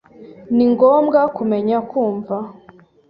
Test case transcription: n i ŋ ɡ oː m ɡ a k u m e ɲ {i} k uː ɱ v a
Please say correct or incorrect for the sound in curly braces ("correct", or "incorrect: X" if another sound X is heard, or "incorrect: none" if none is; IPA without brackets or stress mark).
incorrect: a